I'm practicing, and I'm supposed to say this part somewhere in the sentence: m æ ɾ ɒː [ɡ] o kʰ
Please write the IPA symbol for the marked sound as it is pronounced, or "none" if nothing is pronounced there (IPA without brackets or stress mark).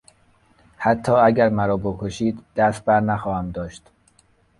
b